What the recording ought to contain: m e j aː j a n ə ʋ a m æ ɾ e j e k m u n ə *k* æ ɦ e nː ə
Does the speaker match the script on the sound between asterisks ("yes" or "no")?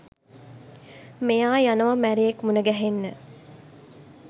no